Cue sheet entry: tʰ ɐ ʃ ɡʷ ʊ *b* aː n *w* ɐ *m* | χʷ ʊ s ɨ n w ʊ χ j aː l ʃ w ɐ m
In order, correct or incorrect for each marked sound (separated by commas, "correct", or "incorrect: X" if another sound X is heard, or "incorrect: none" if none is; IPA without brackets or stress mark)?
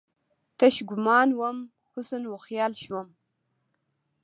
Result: incorrect: m, correct, correct